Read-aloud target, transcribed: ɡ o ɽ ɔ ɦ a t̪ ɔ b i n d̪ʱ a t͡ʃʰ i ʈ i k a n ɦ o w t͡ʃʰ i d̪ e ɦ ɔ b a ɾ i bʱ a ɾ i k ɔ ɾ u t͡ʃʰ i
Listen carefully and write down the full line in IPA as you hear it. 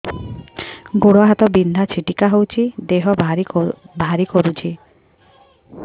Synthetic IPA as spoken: ɡ o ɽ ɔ ɦ a t̪ ɔ b i n d̪ʱ a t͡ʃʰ i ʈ i k a ɦ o w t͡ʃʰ i d̪ e ɦ ɔ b a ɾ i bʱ a ɾ i k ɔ ɾ u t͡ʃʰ i